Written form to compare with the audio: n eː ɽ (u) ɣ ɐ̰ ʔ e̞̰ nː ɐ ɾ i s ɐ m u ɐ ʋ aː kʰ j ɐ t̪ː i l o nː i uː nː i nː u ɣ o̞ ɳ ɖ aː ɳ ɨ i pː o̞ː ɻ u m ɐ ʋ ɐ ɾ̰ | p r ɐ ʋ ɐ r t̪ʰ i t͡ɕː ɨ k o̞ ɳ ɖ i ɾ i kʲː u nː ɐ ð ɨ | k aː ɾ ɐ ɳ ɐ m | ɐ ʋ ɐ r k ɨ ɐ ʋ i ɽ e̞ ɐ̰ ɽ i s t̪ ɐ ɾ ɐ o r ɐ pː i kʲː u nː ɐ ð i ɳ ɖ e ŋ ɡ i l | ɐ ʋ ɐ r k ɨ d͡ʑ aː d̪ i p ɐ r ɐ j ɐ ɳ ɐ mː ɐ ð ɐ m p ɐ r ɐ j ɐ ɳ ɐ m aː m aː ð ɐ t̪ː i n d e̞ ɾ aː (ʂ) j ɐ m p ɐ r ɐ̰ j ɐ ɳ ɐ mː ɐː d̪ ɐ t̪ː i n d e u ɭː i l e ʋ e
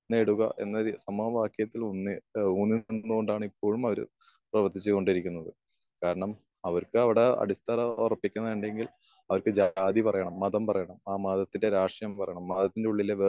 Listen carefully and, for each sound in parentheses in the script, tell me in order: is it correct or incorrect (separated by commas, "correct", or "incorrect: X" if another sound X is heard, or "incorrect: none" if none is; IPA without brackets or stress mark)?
correct, correct